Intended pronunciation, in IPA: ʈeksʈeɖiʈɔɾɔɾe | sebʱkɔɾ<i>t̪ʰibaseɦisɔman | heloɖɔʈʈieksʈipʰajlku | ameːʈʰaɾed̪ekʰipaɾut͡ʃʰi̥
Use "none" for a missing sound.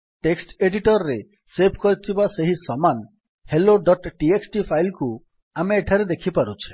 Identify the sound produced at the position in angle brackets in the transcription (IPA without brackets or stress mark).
i